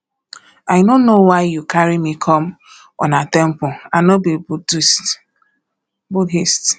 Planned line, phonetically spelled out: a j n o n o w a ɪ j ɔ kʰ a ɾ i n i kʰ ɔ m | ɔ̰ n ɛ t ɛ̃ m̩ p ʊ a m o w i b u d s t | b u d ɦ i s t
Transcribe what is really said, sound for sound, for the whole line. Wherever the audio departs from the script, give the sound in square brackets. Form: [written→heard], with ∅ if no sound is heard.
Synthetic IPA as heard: a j n o n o w a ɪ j [ɔ→u] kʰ a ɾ i [n→m] i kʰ ɔ m | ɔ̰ n [ɛ→a] t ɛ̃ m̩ p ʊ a [m→n] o [w→b] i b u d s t | b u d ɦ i s t

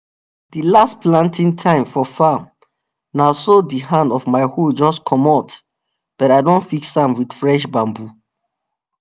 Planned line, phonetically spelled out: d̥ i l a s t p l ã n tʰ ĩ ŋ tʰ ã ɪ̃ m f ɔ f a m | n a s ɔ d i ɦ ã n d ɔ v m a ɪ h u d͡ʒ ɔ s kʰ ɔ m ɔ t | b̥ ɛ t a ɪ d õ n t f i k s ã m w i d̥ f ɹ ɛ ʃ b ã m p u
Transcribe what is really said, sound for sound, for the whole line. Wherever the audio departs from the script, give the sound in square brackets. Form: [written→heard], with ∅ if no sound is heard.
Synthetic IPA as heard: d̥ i l a s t p l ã n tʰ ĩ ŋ tʰ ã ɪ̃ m f ɔ f a m | n a s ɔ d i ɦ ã n d ɔ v m a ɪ h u d͡ʒ ɔ s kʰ ɔ m ɔ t | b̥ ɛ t a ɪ d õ n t f i k s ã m w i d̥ f ɹ ɛ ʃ b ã m [p→b] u

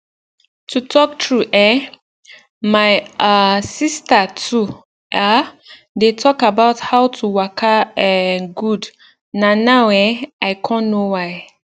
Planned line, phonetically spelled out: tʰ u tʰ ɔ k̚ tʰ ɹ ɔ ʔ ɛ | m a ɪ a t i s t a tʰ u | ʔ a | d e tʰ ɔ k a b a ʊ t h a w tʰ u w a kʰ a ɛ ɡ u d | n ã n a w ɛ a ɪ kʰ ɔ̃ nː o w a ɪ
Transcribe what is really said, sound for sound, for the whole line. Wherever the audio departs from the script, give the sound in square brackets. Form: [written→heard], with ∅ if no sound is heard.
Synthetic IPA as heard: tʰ u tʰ ɔ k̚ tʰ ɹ [ɔ→u] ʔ ɛ | m a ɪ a [t→s] i s t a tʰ u | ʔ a | d e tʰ ɔ k a b a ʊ t h a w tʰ u w a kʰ a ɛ ɡ u d | n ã n a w ɛ a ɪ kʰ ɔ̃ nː o w a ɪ

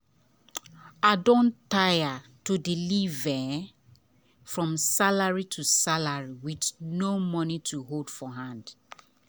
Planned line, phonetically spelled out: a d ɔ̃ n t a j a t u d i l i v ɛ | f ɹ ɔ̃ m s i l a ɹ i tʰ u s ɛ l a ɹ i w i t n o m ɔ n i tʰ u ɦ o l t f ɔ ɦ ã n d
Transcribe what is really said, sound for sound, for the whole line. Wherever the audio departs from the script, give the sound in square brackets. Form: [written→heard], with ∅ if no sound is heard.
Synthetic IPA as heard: a d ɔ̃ n t a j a t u d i l i v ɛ | f ɹ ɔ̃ m s [i→a] l a ɹ i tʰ u s [ɛ→a] l a ɹ i w i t n o m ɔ n i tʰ u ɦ o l [t→d] f ɔ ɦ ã n d

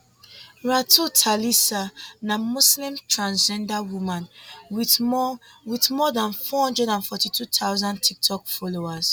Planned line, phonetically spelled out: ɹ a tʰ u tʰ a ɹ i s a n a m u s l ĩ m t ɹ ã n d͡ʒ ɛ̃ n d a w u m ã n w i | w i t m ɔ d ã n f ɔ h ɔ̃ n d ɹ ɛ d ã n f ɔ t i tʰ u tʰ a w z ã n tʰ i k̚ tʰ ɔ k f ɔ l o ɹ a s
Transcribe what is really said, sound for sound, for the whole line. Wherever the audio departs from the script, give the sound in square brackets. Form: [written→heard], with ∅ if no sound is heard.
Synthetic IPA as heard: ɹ a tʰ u tʰ a [ɹ→l] i s a n a m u s l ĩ m t ɹ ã n d͡ʒ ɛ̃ n d a w u m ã n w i | w i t m ɔ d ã n f ɔ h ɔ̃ n d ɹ ɛ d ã n f ɔ t i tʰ u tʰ a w z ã n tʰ i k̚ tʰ ɔ k f ɔ l o [ɹ→∅] a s

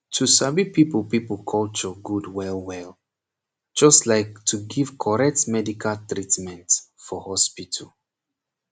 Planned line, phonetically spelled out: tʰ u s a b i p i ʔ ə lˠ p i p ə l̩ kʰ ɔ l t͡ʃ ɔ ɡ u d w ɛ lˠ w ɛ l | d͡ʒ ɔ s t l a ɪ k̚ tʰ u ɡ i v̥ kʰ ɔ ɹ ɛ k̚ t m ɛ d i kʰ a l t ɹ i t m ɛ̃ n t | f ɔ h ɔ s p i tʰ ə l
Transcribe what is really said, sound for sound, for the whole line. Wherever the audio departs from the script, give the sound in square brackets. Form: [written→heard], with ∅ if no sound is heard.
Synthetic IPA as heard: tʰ u s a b i p i [ʔ→p] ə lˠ p i p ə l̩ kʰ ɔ l t͡ʃ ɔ ɡ u d w ɛ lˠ w ɛ l | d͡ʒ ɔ s t l a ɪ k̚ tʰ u ɡ i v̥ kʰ ɔ ɹ ɛ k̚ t m ɛ d i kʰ a l t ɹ i t m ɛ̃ n t | f ɔ h ɔ s p i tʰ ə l

